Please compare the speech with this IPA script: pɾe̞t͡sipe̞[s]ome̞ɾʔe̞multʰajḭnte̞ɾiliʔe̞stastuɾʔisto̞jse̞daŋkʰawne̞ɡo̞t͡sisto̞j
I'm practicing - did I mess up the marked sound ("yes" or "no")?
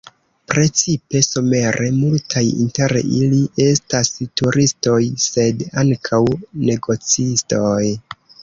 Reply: no